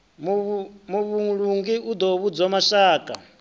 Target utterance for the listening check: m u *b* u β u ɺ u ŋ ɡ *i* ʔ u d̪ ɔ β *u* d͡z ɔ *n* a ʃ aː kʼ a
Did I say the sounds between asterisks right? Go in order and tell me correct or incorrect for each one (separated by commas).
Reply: incorrect, correct, correct, incorrect